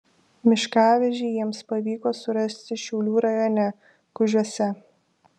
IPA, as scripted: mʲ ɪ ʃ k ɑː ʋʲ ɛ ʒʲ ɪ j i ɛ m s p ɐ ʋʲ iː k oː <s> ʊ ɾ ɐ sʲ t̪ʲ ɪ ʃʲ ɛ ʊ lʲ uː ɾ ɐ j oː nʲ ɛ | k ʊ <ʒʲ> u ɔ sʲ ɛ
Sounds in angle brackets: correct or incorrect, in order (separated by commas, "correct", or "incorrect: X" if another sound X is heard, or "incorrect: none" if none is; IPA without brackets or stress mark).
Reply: correct, correct